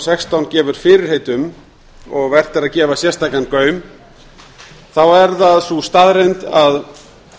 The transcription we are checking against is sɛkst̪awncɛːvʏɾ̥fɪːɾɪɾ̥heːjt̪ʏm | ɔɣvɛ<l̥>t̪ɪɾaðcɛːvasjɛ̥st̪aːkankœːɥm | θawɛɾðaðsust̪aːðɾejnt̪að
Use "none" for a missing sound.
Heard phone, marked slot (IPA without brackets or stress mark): r̥